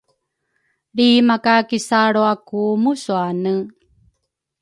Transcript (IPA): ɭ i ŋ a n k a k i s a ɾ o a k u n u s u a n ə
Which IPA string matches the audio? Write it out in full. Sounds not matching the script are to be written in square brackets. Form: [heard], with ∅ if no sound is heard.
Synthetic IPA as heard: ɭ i [m] a [∅] k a k i s a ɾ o a k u [m] u s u a n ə